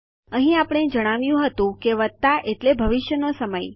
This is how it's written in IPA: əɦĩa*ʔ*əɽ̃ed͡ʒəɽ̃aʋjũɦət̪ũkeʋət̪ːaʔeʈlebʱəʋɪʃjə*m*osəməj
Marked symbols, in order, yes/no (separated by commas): no, no